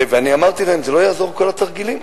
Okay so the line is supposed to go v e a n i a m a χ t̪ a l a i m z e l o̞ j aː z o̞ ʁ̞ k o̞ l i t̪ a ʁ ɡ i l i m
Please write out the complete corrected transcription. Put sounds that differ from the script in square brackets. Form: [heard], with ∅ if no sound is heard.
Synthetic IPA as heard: v e a n i a m a [ʁ] t̪ [i] l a [e] m z e l o̞ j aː z o̞ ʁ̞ k o̞ l [a] t̪ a ʁ ɡ i l i m